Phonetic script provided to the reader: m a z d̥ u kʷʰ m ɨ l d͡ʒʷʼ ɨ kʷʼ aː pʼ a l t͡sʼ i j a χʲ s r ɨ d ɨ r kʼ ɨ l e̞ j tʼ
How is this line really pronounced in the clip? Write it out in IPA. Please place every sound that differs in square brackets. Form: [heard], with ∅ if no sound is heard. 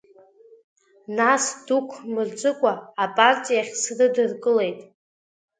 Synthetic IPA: [n] a [s] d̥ u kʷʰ m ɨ [r] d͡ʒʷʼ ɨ kʷʼ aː pʼ a [r] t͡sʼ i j a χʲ s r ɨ d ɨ r kʼ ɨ l e̞ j tʼ